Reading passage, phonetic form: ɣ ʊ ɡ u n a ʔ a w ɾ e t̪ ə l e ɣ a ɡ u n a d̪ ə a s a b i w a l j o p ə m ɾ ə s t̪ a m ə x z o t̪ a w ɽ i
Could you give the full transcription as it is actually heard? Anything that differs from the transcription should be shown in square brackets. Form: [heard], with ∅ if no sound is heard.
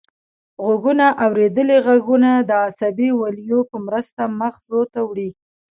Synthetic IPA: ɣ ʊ ɡ u n a ʔ a w ɾ e [d̪] ə l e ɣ a ɡ u n a d̪ ə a s a b i w a l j o p ə m ɾ ə s t̪ a m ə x z o t̪ a w ɽ i